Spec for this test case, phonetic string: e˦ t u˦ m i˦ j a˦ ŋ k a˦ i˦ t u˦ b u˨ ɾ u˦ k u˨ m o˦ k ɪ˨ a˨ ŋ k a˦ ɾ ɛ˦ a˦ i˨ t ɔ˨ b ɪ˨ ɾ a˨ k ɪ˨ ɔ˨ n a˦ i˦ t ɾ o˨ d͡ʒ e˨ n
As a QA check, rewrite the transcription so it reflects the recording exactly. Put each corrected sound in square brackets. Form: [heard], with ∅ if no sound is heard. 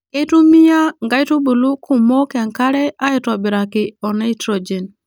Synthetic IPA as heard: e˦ t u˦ m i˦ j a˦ ŋ [ɡ] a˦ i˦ t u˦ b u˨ [l] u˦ k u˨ m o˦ k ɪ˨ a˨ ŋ k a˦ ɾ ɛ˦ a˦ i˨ t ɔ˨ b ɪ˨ ɾ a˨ k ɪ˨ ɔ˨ n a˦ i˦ t ɾ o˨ d͡ʒ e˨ n